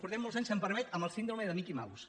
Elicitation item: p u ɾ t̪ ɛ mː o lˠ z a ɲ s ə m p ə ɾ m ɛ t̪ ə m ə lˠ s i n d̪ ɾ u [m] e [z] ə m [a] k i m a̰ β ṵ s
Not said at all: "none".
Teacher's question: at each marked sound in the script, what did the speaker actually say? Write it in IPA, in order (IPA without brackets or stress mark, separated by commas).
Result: m, ð, i